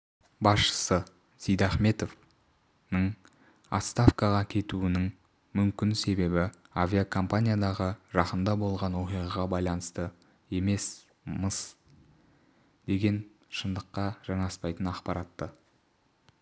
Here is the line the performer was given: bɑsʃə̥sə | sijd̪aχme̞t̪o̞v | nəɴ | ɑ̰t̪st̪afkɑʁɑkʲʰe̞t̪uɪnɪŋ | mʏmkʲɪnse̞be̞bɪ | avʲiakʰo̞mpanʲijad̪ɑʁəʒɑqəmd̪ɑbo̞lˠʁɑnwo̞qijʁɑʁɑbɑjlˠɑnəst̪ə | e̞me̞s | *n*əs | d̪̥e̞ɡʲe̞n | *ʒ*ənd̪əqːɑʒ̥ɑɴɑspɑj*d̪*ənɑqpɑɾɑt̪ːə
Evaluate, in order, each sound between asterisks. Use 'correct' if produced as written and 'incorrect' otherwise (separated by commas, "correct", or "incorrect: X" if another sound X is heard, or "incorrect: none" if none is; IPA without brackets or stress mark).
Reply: incorrect: m, incorrect: ʃ, incorrect: t̪